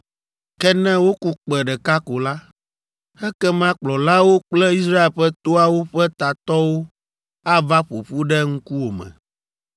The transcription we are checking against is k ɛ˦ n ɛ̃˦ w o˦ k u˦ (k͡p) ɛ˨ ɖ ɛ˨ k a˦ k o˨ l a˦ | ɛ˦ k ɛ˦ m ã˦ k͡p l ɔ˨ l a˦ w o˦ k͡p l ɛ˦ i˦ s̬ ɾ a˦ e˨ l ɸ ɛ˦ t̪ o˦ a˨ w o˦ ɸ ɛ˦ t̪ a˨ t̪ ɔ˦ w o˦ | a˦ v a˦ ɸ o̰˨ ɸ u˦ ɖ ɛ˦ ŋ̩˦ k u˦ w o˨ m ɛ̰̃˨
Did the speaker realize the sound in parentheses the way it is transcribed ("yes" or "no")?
yes